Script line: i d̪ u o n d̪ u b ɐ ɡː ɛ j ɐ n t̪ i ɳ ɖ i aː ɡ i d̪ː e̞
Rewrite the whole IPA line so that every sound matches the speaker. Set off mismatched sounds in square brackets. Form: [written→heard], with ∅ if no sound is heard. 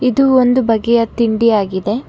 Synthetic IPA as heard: i d̪ u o n d̪ u b ɐ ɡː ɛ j ɐ [n→∅] t̪ i ɳ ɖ i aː ɡ i [d̪ː→d̪] e̞